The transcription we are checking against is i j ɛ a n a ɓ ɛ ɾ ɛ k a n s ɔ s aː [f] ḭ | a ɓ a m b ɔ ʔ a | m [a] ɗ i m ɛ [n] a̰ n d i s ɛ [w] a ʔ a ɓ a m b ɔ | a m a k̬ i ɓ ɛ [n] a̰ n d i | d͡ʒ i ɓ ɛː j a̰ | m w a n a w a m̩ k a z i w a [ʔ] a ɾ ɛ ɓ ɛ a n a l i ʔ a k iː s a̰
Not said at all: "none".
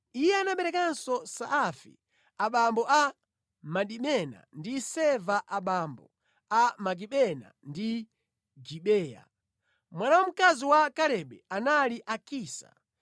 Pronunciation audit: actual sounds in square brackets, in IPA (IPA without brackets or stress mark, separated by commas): f, a, n, v, n, k